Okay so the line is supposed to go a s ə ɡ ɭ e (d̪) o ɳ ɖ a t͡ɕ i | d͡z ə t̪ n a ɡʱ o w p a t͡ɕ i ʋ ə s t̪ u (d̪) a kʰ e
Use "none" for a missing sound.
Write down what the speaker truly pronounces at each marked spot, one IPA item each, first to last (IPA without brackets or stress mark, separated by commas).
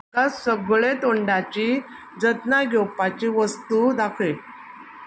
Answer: t̪, d̪